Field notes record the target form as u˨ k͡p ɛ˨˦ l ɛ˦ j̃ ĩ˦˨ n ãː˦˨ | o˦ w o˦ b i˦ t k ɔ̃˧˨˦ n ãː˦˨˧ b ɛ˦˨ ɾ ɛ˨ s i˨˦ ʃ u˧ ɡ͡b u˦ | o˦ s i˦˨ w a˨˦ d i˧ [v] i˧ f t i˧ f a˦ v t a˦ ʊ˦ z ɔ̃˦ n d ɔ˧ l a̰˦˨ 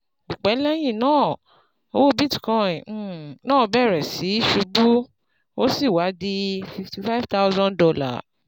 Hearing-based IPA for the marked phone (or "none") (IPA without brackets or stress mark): f